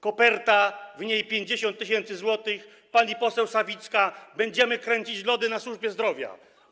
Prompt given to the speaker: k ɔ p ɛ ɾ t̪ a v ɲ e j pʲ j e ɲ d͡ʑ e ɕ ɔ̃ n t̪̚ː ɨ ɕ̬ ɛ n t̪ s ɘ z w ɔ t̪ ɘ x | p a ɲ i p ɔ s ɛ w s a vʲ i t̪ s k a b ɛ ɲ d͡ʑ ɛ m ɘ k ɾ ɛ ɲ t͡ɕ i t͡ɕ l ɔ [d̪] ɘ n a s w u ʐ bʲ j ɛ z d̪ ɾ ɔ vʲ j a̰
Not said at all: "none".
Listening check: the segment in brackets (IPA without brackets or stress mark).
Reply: d̪